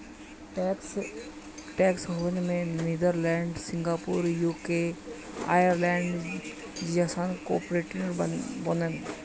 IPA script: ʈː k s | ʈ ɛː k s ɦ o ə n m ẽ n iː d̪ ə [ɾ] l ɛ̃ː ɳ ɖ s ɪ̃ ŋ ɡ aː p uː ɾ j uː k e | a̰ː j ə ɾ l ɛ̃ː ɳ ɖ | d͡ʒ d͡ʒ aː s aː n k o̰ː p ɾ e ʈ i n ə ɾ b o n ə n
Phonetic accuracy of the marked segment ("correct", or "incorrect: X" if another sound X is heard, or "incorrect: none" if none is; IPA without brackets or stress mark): correct